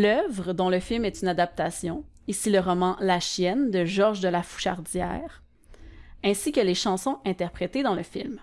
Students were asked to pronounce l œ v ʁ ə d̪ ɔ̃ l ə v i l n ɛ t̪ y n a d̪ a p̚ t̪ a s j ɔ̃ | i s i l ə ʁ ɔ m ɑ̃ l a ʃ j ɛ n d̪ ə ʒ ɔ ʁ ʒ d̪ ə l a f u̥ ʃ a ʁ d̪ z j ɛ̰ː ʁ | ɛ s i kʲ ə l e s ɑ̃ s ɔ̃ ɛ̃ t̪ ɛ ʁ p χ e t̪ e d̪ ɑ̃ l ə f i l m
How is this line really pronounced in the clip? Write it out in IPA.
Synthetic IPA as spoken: l œ v ʁ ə d̪ ɔ̃ l ə f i l m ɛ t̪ y n a d̪ a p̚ t̪ a s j ɔ̃ | i s i l ə ʁ ɔ m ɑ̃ l a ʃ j ɛ n d̪ ə ʒ ɔ ʁ ʒ d̪ ə l a f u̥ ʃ a ʁ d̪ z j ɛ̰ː ʁ | ɛ̃ s i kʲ ə l e ʃ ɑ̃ s ɔ̃ ɛ̃ t̪ ɛ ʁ p χ e t̪ e d̪ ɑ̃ l ə f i l m